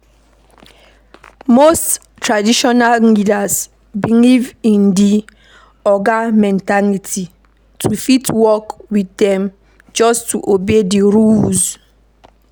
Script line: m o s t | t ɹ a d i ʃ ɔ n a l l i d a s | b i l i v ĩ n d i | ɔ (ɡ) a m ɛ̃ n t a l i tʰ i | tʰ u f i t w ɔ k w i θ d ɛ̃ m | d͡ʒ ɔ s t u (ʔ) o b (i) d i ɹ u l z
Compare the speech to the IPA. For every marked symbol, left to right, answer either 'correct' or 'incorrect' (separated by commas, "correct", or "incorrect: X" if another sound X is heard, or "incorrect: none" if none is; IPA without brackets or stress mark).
correct, correct, incorrect: e